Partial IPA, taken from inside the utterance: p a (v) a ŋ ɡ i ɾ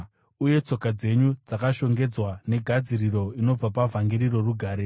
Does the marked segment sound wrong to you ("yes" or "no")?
no